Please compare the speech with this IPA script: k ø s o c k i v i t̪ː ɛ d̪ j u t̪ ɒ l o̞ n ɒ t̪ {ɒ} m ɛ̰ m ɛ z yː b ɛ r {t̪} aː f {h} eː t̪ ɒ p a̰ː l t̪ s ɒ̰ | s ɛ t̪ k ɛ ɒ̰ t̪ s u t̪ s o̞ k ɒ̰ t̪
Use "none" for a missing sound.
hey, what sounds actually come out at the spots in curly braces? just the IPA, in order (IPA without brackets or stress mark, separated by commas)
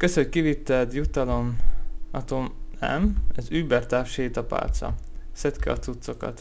o, t̪, ʃ